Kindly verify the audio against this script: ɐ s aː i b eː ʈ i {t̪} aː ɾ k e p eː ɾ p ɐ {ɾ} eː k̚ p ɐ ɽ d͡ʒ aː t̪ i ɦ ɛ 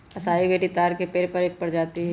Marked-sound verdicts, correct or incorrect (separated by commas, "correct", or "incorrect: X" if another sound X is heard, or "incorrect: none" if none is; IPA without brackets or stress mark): correct, correct